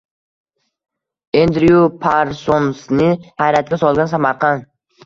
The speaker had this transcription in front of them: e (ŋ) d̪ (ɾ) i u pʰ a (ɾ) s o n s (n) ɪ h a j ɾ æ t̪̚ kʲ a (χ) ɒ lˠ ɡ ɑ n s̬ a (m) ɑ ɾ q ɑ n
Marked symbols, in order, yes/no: no, yes, yes, yes, no, yes

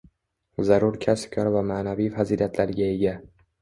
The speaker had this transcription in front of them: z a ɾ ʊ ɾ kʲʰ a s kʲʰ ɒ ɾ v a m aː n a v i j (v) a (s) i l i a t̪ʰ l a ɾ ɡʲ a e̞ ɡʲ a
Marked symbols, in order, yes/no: no, no

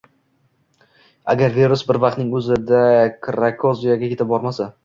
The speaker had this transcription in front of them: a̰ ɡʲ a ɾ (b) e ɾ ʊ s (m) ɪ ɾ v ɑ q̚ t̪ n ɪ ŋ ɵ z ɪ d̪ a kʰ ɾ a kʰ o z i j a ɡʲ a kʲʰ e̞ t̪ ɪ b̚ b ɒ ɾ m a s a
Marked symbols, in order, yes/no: no, no

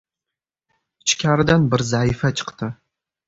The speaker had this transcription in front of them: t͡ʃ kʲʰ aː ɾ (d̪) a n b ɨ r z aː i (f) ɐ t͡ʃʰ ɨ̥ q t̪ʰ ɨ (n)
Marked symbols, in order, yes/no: yes, yes, no

